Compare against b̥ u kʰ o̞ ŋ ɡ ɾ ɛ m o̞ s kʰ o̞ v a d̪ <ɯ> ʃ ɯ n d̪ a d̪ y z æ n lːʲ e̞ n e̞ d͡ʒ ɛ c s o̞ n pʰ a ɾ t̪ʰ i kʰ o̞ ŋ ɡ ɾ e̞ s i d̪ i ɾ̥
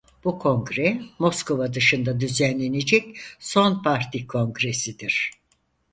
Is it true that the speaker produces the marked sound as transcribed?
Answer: yes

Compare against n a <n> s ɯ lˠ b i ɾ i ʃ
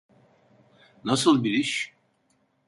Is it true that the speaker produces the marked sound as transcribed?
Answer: no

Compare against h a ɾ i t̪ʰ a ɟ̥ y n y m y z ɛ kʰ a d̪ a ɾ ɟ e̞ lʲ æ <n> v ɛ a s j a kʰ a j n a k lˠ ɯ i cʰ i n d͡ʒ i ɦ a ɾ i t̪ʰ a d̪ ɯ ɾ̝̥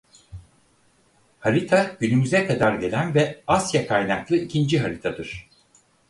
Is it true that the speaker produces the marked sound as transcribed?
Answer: yes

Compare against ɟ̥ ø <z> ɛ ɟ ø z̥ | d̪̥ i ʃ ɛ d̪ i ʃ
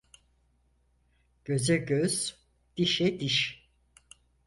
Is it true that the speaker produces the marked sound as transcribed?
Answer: yes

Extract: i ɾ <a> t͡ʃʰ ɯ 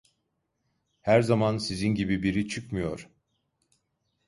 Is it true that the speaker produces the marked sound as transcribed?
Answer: no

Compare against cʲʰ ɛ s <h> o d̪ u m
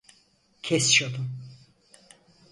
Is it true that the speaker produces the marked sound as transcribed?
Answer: no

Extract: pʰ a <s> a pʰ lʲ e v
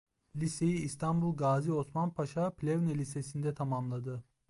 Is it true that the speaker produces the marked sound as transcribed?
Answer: no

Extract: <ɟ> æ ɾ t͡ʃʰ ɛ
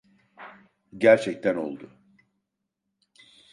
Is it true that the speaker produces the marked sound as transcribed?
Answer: yes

